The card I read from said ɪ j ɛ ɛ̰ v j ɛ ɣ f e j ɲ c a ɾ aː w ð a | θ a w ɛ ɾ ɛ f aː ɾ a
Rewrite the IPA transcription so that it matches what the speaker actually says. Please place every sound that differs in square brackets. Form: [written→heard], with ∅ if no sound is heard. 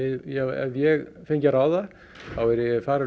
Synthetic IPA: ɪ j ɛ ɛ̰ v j ɛ ɣ f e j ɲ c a ɾ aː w ð a | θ a w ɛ ɾ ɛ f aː ɾ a